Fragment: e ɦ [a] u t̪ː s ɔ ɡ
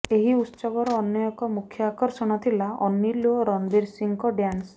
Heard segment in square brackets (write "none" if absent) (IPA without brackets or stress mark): i